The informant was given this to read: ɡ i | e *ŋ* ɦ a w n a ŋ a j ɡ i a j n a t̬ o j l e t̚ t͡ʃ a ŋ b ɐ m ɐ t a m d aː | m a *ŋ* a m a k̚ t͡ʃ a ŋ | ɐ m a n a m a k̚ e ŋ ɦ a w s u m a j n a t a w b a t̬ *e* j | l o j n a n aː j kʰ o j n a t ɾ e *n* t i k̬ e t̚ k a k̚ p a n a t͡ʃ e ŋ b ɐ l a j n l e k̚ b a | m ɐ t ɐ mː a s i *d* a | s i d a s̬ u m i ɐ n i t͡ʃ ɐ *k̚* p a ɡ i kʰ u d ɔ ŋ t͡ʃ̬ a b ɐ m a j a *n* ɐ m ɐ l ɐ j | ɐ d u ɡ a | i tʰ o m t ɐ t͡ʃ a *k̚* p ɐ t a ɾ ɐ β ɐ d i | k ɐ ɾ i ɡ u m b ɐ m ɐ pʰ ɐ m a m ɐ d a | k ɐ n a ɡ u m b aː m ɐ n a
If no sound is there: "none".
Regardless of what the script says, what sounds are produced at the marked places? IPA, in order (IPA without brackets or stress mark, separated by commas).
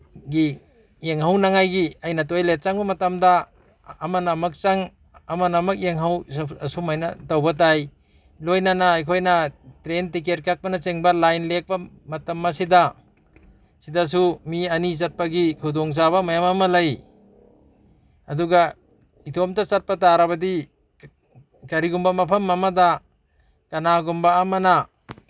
ŋ, n, a, n, d, t̚, m, t̚